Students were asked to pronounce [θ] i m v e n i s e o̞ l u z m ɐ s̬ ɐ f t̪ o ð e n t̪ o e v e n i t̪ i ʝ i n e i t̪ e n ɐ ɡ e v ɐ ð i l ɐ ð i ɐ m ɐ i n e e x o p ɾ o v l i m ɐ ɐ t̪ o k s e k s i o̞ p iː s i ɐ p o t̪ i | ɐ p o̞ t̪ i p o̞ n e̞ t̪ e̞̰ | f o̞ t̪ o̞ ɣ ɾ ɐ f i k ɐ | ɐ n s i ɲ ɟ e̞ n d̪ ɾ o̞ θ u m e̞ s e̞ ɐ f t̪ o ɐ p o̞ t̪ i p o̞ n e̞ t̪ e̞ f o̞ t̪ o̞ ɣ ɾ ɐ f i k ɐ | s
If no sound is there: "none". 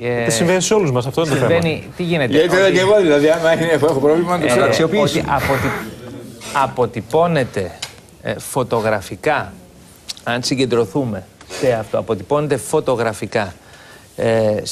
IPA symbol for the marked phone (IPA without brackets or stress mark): s